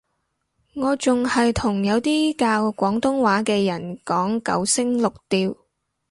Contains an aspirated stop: yes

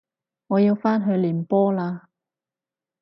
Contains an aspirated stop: no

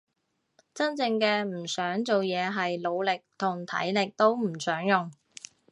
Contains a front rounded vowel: yes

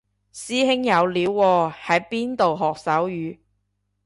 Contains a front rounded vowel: yes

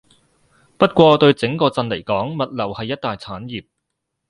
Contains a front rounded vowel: no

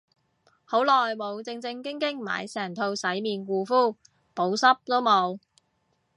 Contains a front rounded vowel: no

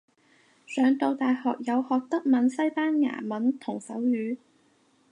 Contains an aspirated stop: yes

